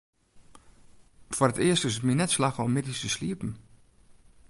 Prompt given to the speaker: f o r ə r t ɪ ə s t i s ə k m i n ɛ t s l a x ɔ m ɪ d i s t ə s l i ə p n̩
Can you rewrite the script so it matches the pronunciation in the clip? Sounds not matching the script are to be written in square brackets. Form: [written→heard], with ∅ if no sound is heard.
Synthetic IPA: f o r ə [r→∅] t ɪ ə s t [i→ɪ] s ə [k→t] m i n ɛ t s l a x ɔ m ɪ d i s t ə s l i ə p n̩